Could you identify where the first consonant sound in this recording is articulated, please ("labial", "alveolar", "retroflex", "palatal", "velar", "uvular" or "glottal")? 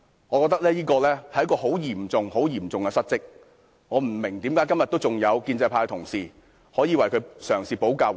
velar